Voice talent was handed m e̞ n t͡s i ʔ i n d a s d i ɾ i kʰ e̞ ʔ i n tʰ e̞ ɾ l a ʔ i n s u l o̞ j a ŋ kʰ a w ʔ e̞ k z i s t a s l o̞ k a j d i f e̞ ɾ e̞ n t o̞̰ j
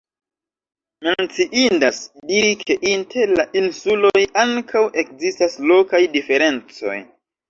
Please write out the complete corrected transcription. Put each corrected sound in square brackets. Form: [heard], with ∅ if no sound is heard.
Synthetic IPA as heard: m e̞ n t͡s i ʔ i n d a s d i ɾ i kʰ e̞ ʔ i n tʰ e̞ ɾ l a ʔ i n s u l o̞ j a ŋ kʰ a w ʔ e̞ k z i s t a s l o̞ k a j d i f e̞ ɾ e̞ n [t͡s] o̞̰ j